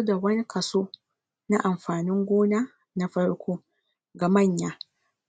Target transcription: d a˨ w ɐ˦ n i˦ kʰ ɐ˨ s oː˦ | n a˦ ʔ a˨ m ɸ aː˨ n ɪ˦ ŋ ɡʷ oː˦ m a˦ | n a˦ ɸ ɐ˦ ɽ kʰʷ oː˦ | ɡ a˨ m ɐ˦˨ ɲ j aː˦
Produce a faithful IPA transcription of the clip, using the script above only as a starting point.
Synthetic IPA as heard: d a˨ w ɐ˦ n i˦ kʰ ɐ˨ s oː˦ | n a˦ ʔ a˨ m ɸ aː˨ n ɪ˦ ŋ ɡʷ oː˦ n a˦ | n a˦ ɸ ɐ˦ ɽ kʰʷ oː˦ | ɡ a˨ m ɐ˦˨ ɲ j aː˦